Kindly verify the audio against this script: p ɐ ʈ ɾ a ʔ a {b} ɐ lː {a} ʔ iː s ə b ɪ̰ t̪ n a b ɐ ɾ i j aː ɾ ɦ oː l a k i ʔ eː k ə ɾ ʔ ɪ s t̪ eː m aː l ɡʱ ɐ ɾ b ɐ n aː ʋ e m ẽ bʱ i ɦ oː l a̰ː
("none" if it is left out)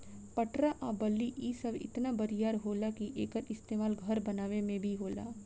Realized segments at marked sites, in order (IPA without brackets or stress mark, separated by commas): b, i